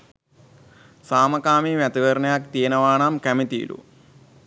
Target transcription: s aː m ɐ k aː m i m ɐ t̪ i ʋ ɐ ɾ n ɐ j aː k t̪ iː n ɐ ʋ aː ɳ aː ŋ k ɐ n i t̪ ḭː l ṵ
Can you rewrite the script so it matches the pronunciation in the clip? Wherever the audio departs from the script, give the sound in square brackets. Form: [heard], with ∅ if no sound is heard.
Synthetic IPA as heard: s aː m ɐ k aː m i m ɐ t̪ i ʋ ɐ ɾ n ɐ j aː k t̪ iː n ɐ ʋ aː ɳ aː [m] k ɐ [m] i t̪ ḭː l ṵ